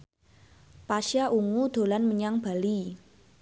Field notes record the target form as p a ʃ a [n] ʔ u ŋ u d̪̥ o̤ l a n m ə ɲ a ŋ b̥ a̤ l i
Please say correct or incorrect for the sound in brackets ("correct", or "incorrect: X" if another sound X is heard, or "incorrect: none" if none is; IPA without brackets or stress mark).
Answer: incorrect: none